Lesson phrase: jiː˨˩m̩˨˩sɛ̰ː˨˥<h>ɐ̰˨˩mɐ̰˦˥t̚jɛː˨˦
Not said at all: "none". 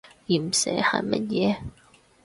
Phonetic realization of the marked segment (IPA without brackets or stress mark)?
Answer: h